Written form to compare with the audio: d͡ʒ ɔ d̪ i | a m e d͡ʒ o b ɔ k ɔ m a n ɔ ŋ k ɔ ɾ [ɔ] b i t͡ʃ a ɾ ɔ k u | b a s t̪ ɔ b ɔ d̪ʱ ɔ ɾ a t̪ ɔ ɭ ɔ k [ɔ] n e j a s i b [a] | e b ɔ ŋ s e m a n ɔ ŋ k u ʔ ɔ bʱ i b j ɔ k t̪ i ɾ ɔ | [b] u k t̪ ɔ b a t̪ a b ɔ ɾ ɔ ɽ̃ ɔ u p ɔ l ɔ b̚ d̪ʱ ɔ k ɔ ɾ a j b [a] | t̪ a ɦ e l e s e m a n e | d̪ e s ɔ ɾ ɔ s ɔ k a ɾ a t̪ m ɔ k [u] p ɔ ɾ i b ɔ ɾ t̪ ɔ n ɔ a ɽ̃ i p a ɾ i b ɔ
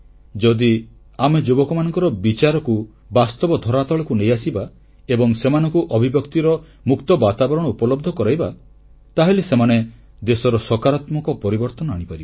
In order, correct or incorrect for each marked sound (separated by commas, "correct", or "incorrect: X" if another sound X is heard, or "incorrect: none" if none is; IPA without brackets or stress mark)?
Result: correct, incorrect: u, correct, incorrect: m, correct, incorrect: ɔ